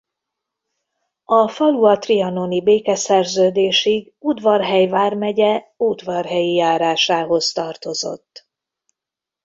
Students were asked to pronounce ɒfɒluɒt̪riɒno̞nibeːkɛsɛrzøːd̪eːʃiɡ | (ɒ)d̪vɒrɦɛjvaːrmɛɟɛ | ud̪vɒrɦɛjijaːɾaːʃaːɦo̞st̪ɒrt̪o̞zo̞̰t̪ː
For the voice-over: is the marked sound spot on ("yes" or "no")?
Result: no